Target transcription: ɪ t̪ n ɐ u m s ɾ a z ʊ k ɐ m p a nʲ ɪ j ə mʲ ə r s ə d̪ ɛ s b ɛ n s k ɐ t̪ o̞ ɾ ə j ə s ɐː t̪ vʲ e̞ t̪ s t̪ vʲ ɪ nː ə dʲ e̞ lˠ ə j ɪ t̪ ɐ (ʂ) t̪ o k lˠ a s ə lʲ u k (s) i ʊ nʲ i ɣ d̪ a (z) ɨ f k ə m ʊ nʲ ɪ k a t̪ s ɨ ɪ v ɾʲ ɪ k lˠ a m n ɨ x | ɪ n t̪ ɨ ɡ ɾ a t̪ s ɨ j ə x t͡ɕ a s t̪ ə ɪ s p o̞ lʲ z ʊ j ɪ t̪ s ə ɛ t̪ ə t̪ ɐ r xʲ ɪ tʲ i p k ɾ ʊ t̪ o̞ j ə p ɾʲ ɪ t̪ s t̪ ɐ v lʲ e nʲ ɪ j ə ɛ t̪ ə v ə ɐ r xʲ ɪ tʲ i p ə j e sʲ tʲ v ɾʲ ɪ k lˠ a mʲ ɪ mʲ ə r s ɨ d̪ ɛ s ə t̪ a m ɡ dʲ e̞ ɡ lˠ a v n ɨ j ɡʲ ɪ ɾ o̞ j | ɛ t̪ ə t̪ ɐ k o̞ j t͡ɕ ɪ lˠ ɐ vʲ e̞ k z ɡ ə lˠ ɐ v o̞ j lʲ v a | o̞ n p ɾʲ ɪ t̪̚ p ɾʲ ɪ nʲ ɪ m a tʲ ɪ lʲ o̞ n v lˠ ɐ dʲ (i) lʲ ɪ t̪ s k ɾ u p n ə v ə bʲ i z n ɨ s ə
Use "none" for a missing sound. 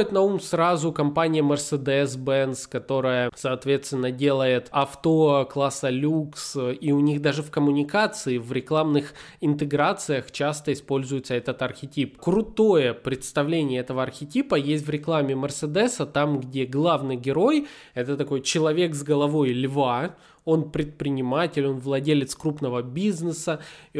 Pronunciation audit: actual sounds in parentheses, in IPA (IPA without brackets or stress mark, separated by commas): f, s, ʐ, e